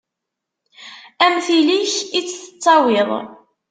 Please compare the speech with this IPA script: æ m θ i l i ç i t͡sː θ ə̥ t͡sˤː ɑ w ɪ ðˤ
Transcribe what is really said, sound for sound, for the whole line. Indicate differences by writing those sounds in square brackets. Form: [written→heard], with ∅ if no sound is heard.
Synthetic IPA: æ m θ i l i ç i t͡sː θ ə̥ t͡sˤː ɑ w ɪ ðˤ